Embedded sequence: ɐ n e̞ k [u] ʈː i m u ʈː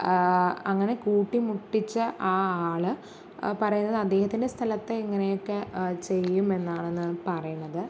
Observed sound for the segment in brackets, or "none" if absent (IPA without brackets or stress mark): uː